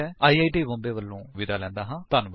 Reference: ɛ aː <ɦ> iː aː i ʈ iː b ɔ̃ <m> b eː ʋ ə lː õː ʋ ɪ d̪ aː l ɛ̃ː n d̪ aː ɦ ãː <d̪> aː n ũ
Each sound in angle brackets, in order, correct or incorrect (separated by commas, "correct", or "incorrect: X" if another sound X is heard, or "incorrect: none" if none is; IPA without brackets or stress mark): incorrect: none, correct, incorrect: t̪